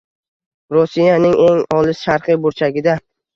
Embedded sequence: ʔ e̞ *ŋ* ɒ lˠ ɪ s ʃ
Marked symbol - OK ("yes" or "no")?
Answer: yes